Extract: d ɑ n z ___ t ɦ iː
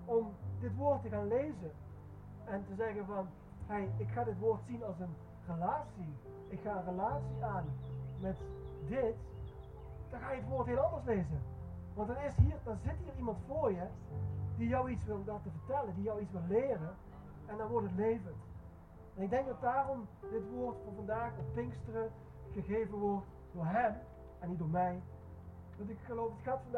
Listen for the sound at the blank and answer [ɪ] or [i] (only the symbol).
ɪ